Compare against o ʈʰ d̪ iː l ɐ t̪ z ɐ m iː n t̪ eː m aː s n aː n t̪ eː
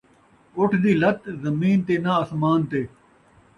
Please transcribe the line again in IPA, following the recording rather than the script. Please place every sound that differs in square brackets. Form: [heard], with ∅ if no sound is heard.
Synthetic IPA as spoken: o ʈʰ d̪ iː l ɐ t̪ z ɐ m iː n t̪ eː [n] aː s [m] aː n t̪ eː